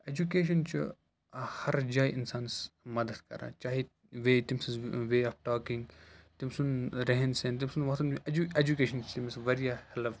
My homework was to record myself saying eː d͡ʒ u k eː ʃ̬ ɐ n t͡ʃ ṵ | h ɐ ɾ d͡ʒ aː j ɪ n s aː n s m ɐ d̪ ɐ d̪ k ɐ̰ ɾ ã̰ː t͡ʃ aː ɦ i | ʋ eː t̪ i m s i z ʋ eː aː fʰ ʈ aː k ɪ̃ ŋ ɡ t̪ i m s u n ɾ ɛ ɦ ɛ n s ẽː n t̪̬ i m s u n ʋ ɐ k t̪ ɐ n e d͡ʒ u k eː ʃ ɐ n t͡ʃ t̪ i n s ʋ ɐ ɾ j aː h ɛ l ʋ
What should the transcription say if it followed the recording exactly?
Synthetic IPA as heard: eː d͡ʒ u k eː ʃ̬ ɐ n t͡ʃ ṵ | h ɐ ɾ d͡ʒ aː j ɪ n s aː n s m ɐ d̪ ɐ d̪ k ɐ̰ ɾ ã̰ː t͡ʃ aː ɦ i | ʋ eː t̪ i m s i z ʋ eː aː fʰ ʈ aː k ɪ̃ ŋ ɡ t̪ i m s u n ɾ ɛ ɦ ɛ n s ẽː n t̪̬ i m s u n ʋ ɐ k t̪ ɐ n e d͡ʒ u k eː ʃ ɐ n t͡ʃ t̪ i m s ʋ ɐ ɾ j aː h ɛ l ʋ